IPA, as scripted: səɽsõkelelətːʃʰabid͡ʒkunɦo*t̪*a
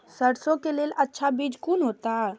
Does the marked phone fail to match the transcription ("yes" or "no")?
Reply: no